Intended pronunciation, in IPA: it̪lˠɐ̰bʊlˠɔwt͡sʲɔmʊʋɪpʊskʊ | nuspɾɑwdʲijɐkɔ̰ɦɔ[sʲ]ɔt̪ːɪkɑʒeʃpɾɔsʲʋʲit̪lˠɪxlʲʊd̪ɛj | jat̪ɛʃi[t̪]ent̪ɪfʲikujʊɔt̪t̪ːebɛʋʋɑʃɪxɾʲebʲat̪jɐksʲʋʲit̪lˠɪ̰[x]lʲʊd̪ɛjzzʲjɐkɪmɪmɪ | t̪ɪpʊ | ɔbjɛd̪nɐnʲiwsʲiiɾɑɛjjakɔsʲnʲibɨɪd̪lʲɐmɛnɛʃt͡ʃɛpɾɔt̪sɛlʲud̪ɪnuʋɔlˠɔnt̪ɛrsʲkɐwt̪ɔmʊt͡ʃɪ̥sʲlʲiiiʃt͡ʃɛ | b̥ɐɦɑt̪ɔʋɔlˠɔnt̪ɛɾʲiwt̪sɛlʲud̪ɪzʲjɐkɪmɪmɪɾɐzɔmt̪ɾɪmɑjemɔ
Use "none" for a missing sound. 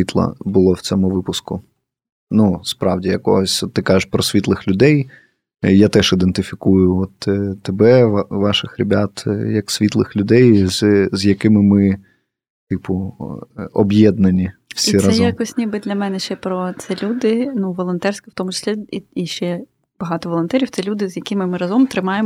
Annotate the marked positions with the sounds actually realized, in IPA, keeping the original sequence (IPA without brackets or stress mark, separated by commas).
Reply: sʲ, d̪, x